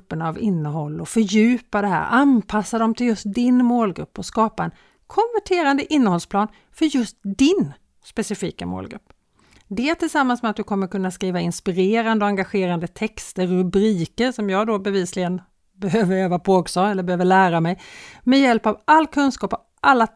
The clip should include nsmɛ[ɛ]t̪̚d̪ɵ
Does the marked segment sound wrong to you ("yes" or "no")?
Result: yes